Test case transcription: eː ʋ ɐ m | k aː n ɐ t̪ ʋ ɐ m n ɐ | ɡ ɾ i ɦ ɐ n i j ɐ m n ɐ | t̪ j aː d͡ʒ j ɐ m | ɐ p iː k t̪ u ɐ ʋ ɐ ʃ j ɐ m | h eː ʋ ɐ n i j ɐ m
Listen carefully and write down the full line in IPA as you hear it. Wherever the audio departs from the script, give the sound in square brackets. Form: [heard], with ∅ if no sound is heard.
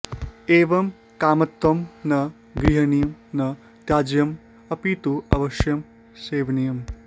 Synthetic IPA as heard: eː ʋ ɐ m | k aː [m] ɐ t̪ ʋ ɐ m n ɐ | ɡ ɾ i ɦ ɐ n i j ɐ m n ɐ | t̪ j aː d͡ʒ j ɐ m | ɐ p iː [∅] t̪ u ɐ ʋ ɐ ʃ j ɐ m | [s] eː ʋ ɐ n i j ɐ m